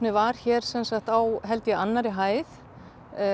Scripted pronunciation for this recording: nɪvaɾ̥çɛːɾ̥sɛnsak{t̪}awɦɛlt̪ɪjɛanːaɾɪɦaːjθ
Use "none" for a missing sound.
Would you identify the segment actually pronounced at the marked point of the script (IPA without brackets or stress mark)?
t̪